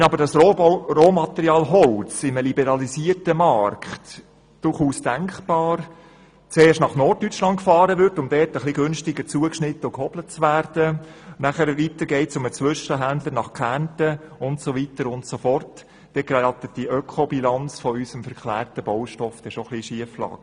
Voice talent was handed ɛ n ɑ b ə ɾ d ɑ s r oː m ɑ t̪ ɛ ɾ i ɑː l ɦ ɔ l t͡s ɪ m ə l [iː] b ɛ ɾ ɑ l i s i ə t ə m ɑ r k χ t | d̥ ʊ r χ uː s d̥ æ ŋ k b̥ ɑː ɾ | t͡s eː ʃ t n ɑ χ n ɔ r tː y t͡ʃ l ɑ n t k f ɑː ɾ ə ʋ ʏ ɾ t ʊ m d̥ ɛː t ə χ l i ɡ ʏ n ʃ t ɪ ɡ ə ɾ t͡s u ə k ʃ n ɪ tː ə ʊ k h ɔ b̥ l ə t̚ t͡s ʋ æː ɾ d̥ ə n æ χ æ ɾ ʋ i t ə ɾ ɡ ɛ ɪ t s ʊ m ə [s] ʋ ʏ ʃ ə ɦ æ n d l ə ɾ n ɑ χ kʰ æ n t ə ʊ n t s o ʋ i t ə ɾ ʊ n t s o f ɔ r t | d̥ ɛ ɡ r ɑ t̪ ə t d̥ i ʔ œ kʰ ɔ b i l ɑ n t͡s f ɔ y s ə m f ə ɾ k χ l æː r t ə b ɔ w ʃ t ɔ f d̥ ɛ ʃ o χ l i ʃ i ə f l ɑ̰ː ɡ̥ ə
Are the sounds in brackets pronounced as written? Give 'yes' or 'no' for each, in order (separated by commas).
no, no